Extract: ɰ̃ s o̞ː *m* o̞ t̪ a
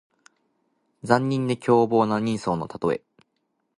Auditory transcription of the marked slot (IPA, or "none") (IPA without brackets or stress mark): n